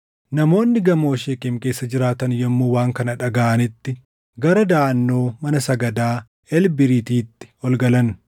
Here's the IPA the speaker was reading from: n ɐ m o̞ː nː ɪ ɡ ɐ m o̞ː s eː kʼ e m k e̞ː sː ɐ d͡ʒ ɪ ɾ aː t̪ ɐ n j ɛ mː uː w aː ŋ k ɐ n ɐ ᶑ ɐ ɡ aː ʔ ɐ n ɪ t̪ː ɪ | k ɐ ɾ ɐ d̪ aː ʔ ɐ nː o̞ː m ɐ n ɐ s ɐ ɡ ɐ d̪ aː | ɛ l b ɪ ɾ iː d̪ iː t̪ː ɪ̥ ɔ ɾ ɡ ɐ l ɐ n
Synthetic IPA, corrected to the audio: n ɐ m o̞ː nː ɪ ɡ ɐ m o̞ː ʃ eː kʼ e m k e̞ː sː ɐ d͡ʒ ɪ ɾ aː t̪ ɐ n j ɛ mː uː w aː ŋ k ɐ n ɐ ᶑ ɐ ɡ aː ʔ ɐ n ɪ t̪ː ɪ | ɡ ɐ ɾ ɐ d̪ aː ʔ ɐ nː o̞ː m ɐ n ɐ s ɐ ɡ ɐ d̪ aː | ɛ l b ɪ ɾ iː t̪ iː t̪ː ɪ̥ ɔ l ɡ ɐ l ɐ n